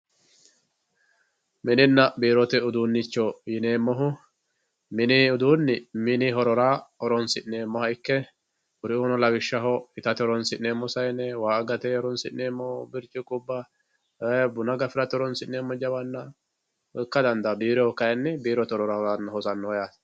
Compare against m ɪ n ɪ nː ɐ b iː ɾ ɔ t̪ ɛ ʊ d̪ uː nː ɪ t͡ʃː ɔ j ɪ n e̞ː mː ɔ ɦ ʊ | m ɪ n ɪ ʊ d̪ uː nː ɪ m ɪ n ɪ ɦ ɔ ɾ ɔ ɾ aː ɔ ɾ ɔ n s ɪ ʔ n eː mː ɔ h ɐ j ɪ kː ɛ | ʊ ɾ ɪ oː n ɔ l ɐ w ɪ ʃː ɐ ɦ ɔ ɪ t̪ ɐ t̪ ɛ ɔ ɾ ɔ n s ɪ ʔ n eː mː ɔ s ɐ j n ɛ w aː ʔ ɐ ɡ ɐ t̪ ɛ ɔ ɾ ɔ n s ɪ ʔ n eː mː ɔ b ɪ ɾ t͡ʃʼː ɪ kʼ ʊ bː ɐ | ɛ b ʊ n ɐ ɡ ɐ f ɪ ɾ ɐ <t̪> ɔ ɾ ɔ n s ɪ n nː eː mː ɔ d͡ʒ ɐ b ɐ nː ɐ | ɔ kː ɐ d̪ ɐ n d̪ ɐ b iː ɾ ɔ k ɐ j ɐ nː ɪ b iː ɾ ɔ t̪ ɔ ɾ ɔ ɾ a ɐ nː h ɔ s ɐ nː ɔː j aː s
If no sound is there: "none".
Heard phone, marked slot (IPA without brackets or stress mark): t̪